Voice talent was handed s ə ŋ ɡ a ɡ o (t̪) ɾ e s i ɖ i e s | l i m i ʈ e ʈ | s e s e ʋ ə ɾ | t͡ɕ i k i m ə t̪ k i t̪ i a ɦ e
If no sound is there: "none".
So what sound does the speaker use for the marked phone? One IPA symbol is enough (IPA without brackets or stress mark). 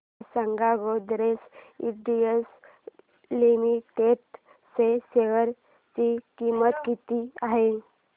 d̪